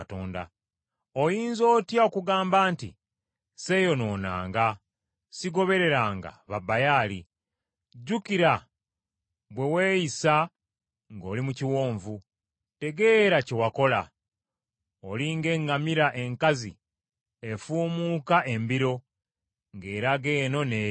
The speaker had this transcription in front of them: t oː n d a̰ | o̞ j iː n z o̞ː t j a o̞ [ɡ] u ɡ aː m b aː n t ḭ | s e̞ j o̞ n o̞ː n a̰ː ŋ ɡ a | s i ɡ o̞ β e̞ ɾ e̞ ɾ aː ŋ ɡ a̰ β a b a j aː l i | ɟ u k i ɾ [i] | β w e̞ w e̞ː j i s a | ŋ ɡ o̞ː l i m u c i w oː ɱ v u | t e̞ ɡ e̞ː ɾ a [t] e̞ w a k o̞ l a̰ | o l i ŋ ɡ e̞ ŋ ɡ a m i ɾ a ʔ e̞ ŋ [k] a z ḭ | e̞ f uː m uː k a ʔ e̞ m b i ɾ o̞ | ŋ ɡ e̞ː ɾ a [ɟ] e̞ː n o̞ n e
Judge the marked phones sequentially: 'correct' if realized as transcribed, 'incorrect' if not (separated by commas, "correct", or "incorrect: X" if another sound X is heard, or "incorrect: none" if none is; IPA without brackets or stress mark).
incorrect: k, incorrect: a, incorrect: c, correct, incorrect: ɡ